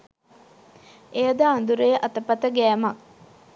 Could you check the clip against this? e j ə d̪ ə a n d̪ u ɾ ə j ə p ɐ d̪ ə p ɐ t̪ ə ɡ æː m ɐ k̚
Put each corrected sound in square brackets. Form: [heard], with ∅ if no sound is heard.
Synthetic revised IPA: e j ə d̪ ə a n d̪ u ɾ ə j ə [ʔ] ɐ [t̪] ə p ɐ t̪ ə ɡ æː m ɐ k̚